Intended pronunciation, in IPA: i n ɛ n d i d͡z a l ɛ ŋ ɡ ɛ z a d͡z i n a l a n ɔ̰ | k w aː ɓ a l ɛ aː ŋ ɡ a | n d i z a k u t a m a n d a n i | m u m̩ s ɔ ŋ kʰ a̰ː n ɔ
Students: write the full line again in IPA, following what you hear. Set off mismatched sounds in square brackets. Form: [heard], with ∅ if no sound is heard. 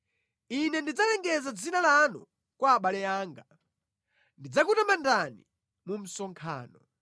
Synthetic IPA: i n ɛ n d i d͡z a l ɛ ŋ ɡ ɛ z a d͡z i n a l a n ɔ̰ | k w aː ɓ a l ɛ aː ŋ ɡ a | n d i [d͡z] a k u t a m a n d a n i | m u m̩ s ɔ ŋ kʰ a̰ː n ɔ